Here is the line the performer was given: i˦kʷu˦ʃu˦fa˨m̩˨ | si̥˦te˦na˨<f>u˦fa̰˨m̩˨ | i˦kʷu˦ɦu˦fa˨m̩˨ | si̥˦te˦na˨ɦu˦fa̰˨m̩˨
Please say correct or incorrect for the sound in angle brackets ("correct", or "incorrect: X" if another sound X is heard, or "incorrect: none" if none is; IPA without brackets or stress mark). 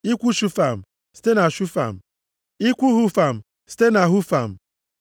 incorrect: ʃ